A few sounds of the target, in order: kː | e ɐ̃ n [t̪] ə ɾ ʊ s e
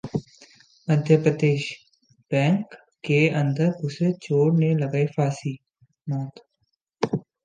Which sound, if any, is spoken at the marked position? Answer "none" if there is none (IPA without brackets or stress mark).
d̪